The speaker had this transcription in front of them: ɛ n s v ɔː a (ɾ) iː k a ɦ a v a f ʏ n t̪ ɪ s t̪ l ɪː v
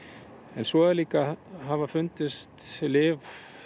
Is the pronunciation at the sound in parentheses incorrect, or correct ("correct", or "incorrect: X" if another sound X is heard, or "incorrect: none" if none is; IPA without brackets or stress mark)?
incorrect: l